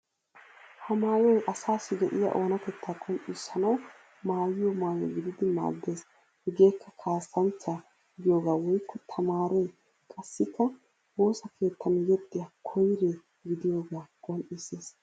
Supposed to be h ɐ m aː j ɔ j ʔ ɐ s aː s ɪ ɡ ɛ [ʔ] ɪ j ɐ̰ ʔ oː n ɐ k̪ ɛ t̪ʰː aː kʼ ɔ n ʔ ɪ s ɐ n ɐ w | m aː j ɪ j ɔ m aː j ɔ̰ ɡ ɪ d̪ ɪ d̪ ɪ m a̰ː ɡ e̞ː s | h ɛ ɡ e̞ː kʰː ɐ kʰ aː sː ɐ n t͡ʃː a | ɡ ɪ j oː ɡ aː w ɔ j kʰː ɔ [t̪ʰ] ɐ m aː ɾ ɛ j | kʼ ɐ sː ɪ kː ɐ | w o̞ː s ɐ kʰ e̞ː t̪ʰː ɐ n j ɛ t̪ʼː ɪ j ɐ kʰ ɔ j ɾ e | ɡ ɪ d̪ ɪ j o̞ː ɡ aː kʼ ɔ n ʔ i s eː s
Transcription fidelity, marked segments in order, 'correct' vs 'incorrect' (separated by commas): correct, correct